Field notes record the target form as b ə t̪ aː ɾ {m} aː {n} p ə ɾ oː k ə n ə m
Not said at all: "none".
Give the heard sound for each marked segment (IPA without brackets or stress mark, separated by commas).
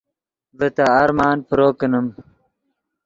m, n